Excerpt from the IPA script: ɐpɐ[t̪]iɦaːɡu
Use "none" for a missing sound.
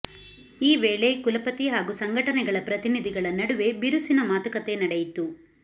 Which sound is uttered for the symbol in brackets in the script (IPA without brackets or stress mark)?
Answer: t̪